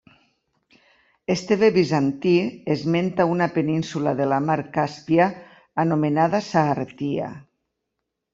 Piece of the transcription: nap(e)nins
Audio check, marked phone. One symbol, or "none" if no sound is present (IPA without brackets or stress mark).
e